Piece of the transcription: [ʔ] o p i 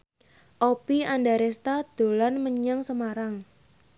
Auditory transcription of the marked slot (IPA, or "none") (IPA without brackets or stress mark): ʔ